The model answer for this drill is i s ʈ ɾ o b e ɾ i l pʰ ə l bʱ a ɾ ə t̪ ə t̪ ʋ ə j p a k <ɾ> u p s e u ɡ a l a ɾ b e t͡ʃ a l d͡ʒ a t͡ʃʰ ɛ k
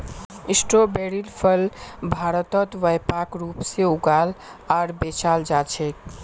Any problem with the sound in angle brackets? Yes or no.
no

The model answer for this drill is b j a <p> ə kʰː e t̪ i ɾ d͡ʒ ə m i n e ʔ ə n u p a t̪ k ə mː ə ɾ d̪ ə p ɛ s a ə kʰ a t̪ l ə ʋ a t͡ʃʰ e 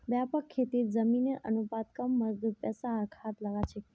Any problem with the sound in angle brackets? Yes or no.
no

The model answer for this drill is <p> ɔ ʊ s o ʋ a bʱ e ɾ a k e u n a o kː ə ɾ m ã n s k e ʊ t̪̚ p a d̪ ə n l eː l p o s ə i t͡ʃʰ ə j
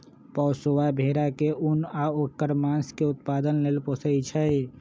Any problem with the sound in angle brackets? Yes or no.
no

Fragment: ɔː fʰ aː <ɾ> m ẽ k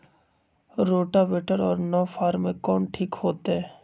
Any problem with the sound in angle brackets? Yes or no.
no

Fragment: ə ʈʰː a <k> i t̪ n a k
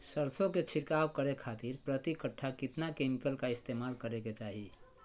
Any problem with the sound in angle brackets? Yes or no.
no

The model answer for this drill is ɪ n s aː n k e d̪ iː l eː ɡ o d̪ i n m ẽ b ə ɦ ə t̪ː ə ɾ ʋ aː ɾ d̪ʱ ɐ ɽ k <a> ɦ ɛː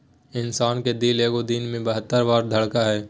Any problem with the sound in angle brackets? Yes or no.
no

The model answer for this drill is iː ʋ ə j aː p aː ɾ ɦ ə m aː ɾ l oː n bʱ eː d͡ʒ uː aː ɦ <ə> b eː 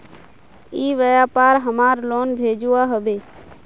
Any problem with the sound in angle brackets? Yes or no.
no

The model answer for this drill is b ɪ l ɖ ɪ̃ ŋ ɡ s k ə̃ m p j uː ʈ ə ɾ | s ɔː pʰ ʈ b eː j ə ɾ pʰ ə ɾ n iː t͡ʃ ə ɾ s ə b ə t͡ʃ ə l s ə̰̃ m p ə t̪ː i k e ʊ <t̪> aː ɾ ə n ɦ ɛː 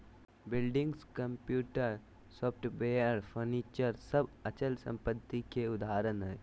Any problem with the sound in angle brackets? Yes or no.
yes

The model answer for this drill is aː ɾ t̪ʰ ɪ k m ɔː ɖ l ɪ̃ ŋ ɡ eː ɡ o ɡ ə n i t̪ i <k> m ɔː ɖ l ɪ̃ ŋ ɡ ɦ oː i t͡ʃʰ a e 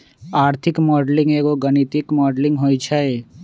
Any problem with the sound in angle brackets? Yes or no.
no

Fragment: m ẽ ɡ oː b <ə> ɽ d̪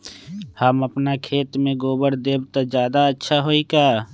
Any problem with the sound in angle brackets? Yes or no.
no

